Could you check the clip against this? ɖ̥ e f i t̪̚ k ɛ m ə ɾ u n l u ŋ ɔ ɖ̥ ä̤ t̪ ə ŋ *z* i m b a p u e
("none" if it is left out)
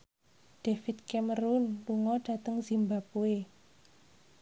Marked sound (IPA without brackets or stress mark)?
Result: z